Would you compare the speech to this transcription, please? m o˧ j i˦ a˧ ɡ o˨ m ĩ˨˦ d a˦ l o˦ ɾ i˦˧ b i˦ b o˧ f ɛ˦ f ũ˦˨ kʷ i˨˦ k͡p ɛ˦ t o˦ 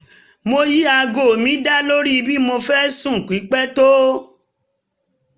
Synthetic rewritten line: m o˧ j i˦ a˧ ɡ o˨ m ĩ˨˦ d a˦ l o˦ ɾ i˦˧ b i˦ m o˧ f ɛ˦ s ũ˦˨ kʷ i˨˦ k͡p ɛ˦ t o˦

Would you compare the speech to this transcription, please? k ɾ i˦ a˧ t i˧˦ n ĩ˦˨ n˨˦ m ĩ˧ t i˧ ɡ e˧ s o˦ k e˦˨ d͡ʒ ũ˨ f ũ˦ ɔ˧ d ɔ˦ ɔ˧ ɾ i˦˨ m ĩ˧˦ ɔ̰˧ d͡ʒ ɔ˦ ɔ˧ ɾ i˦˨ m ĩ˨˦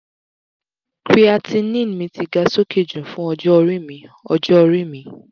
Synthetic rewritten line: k ɾ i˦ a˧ t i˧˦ n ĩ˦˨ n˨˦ m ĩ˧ t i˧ ɡ a˧ s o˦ k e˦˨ d͡ʒ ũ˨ f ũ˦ ɔ˧ d͡ʒ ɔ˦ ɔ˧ ɾ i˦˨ m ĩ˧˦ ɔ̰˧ d͡ʒ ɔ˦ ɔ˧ ɾ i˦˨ m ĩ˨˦

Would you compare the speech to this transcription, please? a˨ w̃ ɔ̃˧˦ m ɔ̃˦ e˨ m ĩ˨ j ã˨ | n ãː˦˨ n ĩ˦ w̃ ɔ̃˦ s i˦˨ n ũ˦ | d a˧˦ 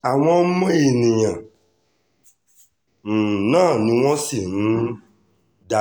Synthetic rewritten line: a˨ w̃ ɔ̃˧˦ m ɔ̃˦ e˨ n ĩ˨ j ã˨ | n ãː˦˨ n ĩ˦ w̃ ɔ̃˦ s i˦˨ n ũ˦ | d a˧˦

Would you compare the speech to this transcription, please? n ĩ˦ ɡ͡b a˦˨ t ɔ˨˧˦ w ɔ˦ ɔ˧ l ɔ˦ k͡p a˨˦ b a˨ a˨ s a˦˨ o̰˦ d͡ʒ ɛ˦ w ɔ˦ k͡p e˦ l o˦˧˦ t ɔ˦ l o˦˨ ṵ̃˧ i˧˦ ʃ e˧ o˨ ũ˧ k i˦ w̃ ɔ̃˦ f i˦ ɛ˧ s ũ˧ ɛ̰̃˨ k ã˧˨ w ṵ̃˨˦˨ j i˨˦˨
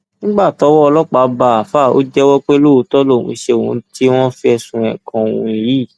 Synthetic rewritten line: n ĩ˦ ɡ͡b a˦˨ t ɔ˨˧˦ w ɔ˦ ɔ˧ l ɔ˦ k͡p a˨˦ b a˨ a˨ f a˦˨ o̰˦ d͡ʒ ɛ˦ w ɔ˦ k͡p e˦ l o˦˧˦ t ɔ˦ l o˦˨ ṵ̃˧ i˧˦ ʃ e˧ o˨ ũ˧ t i˦ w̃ ɔ̃˦ f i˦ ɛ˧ s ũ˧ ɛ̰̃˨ k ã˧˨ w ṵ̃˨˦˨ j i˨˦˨

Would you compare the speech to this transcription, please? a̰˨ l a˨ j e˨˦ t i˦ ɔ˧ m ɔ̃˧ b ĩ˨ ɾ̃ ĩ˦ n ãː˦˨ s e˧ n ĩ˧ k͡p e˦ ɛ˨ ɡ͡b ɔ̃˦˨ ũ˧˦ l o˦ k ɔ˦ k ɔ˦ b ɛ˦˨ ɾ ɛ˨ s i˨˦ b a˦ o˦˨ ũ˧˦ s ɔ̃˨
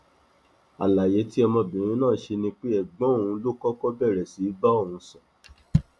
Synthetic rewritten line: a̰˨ l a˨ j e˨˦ t i˦ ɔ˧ m ɔ̃˧ b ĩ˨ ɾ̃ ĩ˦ n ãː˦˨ ʃ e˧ n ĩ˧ k͡p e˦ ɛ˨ ɡ͡b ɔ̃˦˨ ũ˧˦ l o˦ k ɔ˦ k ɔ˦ b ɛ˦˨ ɾ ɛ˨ s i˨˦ b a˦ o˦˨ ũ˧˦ s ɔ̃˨

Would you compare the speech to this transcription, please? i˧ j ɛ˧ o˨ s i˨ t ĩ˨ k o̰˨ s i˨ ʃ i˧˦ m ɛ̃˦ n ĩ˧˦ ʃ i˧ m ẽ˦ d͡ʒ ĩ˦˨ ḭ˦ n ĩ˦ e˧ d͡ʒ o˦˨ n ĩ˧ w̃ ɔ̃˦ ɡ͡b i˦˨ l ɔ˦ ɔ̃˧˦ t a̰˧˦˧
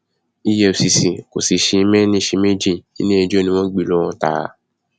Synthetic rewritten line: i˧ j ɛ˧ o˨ s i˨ s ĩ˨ k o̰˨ s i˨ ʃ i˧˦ m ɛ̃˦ n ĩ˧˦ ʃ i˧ m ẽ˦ d͡ʒ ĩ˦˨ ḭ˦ n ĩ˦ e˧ d͡ʒ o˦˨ n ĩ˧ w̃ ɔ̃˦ ɡ͡b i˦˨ l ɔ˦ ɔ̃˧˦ t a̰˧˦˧

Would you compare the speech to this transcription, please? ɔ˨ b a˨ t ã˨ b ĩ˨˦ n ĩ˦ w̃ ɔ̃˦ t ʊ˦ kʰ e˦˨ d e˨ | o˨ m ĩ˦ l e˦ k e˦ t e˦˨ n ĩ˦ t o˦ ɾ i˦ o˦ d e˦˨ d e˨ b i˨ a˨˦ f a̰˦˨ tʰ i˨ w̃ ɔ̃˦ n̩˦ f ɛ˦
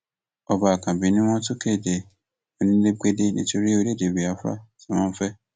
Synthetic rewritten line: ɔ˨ b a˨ k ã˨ b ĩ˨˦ n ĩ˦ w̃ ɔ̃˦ t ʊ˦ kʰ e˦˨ d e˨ | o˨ n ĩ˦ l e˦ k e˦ d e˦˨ n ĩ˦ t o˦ ɾ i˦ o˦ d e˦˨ d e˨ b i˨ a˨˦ f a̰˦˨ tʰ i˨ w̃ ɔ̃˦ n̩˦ f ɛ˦

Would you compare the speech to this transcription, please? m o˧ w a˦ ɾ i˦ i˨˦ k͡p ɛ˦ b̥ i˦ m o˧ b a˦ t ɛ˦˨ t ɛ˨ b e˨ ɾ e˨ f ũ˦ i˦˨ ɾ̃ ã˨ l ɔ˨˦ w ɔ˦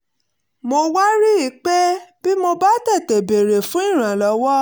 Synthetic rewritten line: m o˧ w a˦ ɾ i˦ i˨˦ k͡p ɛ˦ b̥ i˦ m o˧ b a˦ t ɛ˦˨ t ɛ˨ b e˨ ɾ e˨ f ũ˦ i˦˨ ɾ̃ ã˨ l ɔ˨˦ w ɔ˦

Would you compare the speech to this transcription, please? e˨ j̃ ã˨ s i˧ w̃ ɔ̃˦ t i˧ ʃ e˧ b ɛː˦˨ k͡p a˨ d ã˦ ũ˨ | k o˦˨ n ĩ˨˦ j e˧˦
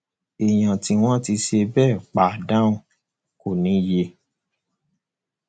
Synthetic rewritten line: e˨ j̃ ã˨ t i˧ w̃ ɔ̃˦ t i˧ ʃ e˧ b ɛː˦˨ k͡p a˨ d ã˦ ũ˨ | k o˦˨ n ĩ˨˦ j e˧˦

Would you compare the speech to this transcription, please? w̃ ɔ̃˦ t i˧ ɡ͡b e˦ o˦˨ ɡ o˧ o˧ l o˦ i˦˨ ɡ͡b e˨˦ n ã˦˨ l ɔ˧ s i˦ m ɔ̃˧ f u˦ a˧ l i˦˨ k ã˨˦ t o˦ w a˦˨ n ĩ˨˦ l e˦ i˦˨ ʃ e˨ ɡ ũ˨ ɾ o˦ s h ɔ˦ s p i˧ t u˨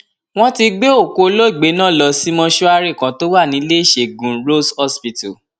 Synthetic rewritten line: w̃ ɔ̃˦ t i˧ ɡ͡b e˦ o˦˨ k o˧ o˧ l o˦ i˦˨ ɡ͡b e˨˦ n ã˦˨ l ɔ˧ s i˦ m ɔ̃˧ ʃ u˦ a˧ ɾ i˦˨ k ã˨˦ t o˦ w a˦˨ n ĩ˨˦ l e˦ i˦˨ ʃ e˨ ɡ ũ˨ ɾ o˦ s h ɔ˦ s p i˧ t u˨

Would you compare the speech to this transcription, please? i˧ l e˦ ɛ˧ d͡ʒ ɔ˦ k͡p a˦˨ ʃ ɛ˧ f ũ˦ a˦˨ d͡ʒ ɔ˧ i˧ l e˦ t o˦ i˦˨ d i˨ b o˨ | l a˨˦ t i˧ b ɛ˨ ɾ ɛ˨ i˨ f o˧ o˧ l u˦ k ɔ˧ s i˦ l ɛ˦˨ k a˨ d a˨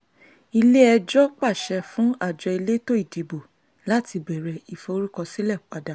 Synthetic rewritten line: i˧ l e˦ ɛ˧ d͡ʒ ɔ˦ k͡p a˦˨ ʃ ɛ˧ f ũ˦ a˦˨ d͡ʒ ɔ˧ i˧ l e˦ t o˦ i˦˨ d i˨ b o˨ | l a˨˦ t i˧ b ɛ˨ ɾ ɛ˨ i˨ f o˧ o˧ ɾ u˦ k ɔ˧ s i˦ l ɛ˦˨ k͡p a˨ d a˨

